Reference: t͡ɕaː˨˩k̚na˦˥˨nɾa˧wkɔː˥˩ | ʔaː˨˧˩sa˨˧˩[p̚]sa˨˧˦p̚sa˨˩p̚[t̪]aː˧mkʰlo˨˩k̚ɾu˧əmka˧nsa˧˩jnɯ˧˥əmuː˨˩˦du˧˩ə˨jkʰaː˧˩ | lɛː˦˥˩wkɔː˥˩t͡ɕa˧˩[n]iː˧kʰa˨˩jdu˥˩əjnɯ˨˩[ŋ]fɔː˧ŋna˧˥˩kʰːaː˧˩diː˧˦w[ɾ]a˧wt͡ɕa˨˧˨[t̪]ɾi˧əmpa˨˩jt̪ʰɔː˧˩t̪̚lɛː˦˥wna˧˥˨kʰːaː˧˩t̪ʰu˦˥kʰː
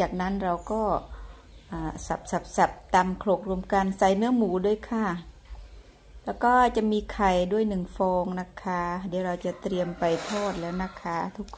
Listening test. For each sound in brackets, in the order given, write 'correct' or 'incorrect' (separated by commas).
correct, correct, incorrect, correct, correct, correct